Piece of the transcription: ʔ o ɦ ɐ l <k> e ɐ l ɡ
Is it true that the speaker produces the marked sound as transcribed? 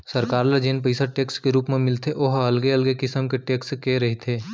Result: no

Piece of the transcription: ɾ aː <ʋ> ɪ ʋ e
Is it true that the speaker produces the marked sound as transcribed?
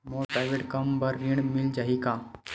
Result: no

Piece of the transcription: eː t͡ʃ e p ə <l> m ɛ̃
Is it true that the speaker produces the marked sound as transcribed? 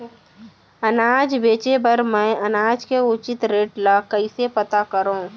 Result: no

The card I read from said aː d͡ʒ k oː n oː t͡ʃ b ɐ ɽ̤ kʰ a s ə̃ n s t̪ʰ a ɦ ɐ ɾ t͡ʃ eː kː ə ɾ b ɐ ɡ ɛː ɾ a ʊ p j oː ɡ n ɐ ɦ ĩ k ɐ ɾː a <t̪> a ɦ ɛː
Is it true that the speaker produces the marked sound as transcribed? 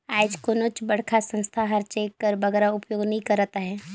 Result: yes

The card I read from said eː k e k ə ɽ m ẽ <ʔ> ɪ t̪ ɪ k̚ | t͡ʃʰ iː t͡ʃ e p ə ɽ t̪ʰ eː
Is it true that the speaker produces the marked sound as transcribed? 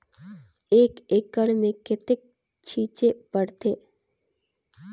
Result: no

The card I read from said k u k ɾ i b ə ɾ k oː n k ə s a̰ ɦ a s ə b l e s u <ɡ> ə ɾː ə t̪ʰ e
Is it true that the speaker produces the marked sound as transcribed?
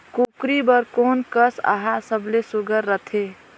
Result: yes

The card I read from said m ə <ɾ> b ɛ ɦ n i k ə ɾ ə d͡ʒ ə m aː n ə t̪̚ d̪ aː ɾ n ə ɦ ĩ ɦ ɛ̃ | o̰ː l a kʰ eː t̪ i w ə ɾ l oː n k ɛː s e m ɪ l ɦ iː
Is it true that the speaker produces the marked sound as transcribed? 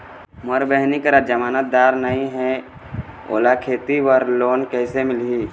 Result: yes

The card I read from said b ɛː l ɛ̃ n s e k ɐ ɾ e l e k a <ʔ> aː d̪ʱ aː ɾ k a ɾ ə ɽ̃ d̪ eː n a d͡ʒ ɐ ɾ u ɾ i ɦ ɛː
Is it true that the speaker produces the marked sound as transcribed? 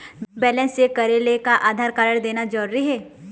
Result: yes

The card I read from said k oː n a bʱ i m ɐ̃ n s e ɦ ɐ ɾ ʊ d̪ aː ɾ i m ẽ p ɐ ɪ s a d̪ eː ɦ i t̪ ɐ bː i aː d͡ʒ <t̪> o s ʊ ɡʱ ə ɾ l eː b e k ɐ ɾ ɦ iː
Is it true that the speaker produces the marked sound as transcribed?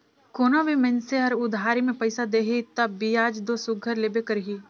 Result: no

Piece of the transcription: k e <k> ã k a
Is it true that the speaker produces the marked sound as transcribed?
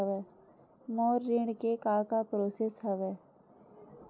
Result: yes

